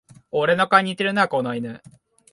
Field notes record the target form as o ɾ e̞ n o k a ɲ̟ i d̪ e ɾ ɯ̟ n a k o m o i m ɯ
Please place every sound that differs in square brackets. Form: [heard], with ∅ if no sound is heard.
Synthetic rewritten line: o ɾ e̞ n o k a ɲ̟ i [t̪] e ɾ ɯ̟ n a k o [n] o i [n] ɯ